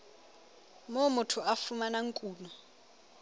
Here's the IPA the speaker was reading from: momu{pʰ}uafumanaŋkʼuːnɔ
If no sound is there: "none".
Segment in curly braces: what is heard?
tʰ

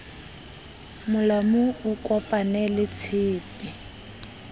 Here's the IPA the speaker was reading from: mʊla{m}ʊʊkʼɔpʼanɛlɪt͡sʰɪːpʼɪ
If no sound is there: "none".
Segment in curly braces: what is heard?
m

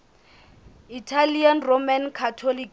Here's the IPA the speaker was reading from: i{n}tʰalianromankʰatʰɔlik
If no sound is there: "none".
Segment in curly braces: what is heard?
none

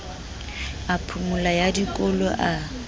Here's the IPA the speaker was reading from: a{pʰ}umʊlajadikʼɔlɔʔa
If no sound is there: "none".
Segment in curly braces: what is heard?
pʰ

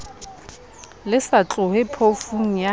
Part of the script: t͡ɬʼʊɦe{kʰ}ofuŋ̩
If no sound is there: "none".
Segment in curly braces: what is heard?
pʰ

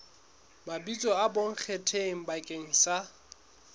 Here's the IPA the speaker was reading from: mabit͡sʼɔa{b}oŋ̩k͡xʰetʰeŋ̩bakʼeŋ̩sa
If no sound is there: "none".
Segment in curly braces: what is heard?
b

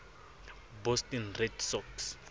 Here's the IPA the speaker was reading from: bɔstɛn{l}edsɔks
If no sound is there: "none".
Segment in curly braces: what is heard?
r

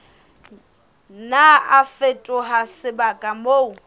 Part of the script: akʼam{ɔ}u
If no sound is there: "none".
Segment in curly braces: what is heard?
o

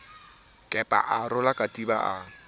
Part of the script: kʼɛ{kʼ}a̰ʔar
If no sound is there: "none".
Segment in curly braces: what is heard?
pʼ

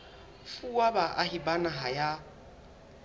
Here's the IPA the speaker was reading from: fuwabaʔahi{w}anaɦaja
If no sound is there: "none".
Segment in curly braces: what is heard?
b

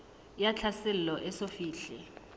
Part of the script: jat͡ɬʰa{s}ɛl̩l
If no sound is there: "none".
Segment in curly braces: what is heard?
s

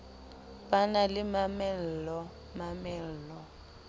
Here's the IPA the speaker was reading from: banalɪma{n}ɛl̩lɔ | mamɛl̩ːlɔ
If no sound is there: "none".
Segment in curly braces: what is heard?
m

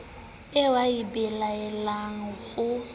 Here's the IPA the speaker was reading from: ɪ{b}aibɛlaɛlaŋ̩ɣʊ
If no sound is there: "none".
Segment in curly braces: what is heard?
w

